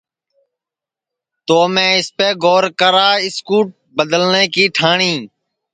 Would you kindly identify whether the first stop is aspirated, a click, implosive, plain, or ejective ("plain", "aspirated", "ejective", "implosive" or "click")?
plain